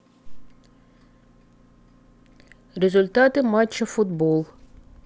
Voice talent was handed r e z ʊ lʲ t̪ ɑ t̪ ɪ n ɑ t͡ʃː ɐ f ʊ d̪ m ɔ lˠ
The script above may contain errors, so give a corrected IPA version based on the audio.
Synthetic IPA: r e z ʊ lʲ t̪ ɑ t̪ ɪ m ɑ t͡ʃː ɐ f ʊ d̪ b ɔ lˠ